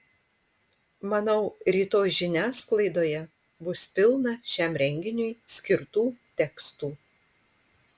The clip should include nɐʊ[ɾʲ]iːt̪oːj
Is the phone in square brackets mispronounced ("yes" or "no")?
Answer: no